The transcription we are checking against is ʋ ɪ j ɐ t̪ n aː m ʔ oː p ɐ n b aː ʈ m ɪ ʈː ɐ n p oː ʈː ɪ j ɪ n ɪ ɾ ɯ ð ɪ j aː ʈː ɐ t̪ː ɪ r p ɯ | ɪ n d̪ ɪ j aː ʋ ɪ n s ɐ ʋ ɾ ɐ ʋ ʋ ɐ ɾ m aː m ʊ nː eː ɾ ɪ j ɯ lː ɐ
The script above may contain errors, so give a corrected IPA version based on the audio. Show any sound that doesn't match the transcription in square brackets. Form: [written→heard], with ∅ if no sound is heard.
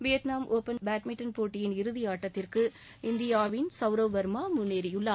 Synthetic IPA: ʋ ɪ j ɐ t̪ n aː m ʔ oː p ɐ n b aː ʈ m ɪ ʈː ɐ n p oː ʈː ɪ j ɪ n ɪ ɾ ɯ ð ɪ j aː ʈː ɐ t̪ː ɪ r [p→k] ɯ | ɪ n d̪ ɪ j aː ʋ ɪ n s ɐ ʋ ɾ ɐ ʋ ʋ ɐ ɾ m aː m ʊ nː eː ɾ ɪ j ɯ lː ɐ